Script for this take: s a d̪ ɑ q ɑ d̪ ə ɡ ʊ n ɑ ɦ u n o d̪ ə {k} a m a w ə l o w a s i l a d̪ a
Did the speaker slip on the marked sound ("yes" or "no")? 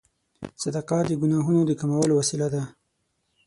no